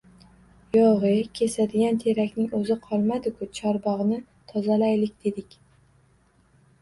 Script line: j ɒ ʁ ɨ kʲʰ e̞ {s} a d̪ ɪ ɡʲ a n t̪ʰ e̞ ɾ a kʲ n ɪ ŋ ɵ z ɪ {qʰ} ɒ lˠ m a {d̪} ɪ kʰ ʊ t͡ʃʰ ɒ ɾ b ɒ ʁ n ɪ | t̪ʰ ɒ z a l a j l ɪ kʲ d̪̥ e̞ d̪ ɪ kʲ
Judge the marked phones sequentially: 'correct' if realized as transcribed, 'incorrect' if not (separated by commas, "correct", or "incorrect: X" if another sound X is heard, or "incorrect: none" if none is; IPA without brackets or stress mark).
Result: correct, correct, correct